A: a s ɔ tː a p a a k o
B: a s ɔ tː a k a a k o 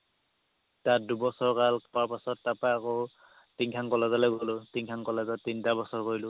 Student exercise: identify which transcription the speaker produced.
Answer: A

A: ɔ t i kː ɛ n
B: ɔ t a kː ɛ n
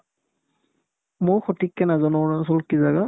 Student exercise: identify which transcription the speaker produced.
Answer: A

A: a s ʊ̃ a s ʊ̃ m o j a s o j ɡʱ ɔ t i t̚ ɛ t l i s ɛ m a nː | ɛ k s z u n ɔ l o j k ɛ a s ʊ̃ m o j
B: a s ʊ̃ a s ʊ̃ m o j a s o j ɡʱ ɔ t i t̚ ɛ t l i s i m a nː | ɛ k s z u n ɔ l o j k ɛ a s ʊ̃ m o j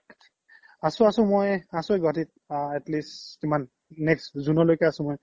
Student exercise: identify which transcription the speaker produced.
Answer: B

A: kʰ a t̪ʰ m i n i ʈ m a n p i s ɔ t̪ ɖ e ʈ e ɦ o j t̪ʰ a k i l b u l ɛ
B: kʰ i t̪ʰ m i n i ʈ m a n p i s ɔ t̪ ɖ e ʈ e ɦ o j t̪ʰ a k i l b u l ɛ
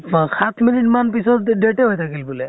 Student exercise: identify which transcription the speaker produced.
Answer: A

